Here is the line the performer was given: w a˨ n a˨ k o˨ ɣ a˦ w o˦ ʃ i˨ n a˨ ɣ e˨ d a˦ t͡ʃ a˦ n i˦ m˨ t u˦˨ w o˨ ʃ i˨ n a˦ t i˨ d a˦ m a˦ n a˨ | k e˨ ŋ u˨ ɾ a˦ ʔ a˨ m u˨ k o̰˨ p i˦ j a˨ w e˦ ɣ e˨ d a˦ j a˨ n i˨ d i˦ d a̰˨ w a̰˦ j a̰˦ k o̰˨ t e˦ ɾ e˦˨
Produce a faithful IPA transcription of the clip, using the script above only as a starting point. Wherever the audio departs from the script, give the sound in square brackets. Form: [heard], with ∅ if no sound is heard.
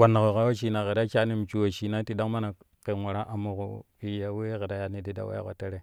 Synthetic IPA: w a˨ n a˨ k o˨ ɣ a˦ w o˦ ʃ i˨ n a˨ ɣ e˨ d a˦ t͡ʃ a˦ n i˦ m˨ [t͡ʃ] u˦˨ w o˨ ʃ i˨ n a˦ t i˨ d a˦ m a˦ n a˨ | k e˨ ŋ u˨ ɾ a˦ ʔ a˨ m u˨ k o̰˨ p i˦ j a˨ w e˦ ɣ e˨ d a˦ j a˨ n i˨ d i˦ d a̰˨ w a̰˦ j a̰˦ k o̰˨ t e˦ ɾ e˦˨